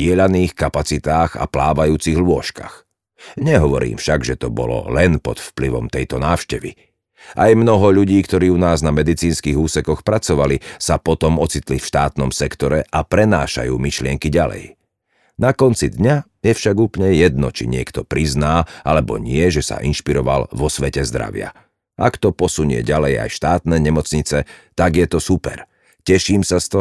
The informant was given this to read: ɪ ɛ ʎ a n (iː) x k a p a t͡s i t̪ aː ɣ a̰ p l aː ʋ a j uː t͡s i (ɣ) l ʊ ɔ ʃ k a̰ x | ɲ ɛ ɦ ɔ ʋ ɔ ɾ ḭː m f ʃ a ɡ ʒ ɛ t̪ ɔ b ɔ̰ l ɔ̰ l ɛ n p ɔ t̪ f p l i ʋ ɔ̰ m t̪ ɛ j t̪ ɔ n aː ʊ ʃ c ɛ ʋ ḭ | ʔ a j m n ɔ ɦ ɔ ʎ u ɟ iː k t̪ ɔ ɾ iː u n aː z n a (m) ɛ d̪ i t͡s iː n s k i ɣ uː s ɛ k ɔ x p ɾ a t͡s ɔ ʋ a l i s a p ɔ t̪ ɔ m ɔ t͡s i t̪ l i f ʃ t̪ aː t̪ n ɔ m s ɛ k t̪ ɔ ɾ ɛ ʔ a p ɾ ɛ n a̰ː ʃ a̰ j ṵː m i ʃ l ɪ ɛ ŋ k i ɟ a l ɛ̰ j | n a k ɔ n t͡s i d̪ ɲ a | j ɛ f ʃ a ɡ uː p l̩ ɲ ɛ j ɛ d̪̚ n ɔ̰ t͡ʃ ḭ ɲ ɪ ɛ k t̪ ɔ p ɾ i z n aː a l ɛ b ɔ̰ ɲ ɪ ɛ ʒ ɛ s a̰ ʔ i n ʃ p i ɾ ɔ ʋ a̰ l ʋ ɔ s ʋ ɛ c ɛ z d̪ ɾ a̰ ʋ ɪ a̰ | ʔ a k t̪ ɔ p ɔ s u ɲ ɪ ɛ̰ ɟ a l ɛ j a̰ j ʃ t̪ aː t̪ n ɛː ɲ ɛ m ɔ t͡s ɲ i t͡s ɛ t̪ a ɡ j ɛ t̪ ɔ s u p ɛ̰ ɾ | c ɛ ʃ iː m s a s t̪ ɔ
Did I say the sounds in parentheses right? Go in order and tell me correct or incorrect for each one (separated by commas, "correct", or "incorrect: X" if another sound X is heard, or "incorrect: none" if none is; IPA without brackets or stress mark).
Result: correct, correct, correct